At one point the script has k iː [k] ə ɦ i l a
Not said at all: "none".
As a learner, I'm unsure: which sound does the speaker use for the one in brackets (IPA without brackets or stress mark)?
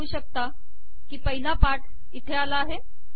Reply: p